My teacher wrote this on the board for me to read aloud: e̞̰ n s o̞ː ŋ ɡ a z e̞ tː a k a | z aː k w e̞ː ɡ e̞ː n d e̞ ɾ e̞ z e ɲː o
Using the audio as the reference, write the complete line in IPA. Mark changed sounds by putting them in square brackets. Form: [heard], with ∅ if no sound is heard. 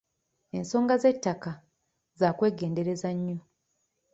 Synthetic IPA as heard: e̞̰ n s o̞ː ŋ ɡ a z e̞ tː a k a | z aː k w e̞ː ɡ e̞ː n d e̞ ɾ e̞ z [a] ɲː o